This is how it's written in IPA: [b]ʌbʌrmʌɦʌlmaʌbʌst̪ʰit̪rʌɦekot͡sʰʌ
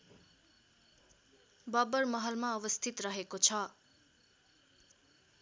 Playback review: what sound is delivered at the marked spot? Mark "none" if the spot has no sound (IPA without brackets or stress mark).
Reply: b